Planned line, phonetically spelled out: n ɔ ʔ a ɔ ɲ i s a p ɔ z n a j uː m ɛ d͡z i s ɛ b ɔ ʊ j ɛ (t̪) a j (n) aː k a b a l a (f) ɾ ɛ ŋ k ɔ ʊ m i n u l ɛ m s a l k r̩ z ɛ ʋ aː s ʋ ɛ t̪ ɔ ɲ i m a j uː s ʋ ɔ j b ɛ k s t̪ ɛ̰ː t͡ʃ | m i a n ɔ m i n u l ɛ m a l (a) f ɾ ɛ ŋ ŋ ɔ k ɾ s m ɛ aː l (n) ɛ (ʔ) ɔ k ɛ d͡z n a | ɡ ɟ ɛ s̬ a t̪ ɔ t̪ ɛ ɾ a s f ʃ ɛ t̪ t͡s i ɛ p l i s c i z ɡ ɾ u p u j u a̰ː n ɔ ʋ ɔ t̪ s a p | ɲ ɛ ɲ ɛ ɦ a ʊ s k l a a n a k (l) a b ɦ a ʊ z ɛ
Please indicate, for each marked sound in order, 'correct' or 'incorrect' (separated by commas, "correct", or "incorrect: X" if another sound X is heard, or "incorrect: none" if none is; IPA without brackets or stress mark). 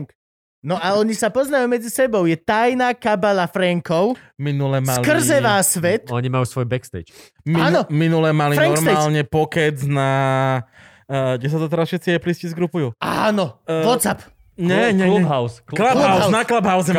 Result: correct, correct, correct, incorrect: i, incorrect: ɲ, incorrect: p, correct